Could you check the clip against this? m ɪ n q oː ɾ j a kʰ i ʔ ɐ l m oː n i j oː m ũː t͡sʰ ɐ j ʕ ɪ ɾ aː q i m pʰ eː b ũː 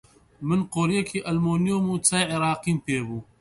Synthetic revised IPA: m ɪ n q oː ɾ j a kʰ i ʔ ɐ l m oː n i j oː m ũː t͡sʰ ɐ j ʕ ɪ ɾ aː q i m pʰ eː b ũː